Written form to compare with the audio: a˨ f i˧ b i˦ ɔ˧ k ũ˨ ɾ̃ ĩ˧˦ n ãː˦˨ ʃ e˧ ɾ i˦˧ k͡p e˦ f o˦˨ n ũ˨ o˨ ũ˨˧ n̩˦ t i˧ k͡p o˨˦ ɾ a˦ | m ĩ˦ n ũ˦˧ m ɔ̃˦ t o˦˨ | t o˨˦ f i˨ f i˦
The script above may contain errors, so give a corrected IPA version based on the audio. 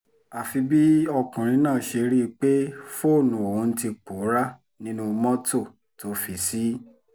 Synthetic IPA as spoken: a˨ f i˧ b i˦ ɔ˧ k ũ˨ ɾ̃ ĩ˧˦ n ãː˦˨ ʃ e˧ ɾ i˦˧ k͡p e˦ f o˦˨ n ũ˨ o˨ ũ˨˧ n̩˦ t i˧ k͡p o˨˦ ɾ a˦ | n ĩ˦ n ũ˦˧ m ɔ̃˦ t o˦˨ | t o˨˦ f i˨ s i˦